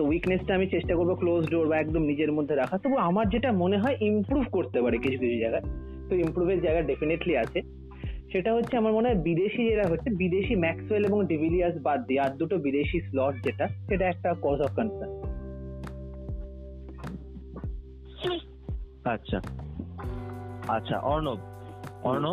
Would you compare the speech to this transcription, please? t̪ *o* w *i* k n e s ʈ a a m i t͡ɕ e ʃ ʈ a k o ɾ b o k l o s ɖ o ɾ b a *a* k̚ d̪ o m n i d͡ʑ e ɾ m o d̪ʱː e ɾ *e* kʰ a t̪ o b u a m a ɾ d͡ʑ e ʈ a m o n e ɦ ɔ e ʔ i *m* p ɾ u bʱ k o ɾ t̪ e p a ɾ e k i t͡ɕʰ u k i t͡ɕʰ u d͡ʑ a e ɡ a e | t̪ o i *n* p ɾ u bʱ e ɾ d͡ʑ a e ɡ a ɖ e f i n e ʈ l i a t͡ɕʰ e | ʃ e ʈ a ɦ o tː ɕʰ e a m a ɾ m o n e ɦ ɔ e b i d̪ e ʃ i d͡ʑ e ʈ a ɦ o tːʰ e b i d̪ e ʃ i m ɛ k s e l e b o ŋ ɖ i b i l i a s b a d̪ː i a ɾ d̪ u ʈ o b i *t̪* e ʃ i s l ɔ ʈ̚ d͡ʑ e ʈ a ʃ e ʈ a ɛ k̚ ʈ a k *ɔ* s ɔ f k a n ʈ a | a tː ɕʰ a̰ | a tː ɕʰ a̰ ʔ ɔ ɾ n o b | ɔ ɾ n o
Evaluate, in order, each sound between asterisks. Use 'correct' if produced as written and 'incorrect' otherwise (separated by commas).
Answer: correct, correct, incorrect, incorrect, correct, incorrect, incorrect, correct